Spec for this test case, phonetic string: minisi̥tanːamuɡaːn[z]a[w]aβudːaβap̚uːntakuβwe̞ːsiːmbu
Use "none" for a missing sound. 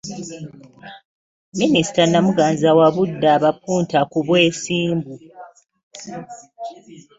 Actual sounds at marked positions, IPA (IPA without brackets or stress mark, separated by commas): z, w